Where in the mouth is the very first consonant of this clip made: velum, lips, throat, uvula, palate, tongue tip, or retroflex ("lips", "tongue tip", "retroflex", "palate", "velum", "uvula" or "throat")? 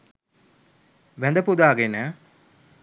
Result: lips